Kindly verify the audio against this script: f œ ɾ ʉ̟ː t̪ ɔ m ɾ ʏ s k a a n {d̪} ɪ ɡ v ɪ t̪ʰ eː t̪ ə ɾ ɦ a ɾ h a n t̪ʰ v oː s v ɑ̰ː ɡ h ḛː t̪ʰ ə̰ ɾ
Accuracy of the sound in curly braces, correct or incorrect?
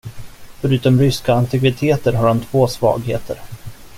incorrect